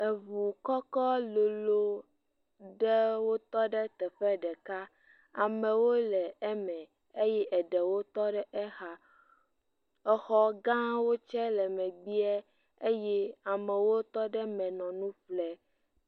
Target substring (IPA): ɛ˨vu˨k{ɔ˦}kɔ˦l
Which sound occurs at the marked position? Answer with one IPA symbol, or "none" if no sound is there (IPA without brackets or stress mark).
ɔ˦